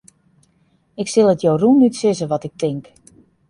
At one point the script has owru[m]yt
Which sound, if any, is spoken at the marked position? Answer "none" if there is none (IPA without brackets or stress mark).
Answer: n